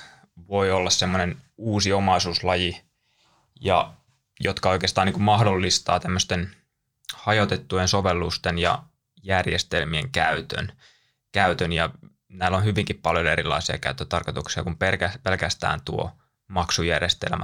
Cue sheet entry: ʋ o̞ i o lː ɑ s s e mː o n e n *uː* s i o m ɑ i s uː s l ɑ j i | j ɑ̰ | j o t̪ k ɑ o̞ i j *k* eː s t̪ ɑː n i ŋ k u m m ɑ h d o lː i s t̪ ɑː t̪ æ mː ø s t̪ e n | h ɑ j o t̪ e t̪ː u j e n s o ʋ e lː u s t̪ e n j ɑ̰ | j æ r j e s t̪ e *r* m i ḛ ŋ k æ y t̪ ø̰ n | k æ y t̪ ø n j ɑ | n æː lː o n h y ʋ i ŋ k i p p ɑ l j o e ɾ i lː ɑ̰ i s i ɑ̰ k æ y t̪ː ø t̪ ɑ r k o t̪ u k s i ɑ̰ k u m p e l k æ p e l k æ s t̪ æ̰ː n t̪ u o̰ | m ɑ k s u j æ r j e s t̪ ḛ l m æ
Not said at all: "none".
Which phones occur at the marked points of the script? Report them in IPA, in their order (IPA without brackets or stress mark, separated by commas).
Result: uː, k, l